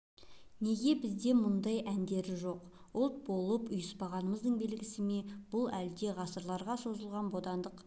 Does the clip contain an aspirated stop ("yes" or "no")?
no